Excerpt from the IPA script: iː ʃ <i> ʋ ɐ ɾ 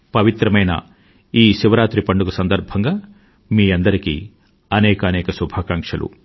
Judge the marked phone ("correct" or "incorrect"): correct